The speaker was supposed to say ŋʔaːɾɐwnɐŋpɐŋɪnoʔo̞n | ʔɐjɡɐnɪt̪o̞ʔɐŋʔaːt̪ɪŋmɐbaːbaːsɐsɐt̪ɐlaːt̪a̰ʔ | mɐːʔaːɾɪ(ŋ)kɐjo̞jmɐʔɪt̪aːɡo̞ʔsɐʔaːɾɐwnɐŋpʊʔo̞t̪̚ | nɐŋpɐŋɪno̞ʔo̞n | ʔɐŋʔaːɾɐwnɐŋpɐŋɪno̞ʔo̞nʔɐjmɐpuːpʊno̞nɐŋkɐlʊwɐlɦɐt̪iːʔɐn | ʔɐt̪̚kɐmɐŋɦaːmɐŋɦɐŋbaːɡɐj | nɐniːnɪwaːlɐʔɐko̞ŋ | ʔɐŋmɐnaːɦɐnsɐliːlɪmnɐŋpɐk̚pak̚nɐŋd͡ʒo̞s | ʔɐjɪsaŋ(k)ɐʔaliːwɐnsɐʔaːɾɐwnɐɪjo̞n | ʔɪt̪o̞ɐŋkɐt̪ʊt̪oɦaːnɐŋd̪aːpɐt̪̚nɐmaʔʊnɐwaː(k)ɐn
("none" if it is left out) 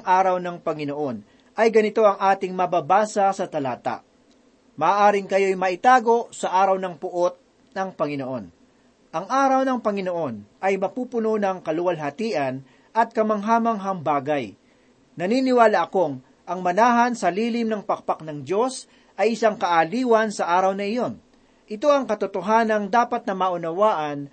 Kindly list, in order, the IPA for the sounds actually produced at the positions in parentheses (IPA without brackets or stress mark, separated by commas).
ŋ, k, ʔ